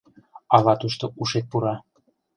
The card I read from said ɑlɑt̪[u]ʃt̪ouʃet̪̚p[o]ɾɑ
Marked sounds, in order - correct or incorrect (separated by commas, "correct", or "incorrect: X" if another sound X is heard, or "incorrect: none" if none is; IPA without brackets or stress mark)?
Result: correct, incorrect: u